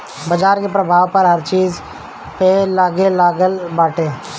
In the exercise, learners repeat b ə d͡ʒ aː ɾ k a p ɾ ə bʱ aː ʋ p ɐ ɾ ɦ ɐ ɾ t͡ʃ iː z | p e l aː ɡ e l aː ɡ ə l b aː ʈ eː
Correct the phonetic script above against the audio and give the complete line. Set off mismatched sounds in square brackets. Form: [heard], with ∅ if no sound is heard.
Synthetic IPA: b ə d͡ʒ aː ɾ k [e] p ɾ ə bʱ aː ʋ p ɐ ɾ ɦ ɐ ɾ t͡ʃ iː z | p e l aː ɡ e l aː ɡ ə l b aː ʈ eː